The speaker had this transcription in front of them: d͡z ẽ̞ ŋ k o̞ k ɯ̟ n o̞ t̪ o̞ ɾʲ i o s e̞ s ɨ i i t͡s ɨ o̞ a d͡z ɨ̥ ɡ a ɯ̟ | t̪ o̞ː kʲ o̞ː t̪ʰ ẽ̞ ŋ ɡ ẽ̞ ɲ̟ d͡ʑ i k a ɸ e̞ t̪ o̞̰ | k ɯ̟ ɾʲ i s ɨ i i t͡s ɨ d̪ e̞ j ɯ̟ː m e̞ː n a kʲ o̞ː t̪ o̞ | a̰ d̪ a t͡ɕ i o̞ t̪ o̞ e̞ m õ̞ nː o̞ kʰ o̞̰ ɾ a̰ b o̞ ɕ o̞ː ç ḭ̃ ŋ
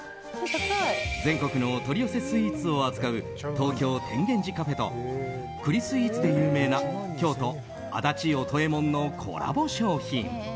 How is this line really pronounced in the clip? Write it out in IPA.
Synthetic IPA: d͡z ẽ̞ ŋ k o̞ k ɯ̟ n o̞ t̪ o̞ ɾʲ i o s e̞ s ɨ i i t͡s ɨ o̞ a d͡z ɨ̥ k a ɯ̟ | t̪ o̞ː kʲ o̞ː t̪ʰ ẽ̞ ŋ ɡ ẽ̞ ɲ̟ d͡ʑ i k a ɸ e̞ t̪ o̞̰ | k ɯ̟ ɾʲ i s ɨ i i t͡s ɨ d̪ e̞ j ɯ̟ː m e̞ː n a kʲ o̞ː t̪ o̞ | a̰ d̪ a t͡ɕ i o̞ t̪ o̞ e̞ m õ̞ nː o̞ kʰ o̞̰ ɾ a̰ b o̞ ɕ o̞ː ç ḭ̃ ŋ